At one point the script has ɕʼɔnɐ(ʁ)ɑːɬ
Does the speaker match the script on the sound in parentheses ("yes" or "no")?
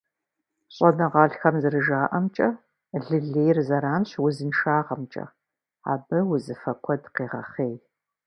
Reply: yes